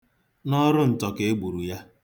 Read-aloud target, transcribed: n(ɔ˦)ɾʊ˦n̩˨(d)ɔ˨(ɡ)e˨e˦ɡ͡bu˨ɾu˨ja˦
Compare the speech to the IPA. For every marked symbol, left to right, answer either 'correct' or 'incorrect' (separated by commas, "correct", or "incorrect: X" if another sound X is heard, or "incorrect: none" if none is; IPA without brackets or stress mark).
correct, incorrect: t, incorrect: k